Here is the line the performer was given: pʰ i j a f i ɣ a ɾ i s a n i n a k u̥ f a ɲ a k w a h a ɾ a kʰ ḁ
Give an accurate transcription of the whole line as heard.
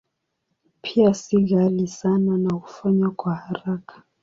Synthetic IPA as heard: pʰ i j a s i ɣ a l i s a n a n a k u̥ f a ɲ a k w a h a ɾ a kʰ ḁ